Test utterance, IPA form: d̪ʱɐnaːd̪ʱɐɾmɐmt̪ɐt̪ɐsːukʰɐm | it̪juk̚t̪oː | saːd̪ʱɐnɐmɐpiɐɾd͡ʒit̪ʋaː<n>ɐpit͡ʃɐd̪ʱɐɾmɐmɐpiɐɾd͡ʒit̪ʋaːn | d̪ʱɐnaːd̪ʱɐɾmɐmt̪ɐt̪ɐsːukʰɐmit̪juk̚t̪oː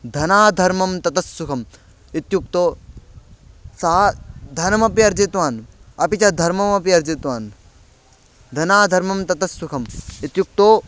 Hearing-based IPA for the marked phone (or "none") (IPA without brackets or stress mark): n